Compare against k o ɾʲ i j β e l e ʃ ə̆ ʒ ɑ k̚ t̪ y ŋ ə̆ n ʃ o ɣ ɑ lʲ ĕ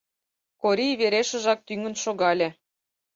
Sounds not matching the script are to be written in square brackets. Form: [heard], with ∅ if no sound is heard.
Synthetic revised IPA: k o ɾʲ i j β e [ɾ] e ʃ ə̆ ʒ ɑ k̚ t̪ y ŋ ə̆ n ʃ o ɣ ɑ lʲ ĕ